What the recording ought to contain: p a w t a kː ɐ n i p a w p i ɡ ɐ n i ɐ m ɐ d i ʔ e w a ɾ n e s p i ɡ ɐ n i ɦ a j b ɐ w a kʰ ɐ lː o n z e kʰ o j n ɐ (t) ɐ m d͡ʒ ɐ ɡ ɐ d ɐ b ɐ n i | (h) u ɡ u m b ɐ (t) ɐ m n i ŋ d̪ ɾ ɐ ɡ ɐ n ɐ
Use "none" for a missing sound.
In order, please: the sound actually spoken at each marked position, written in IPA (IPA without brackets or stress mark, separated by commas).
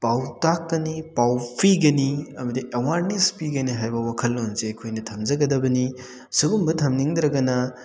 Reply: tʰ, s, tʰ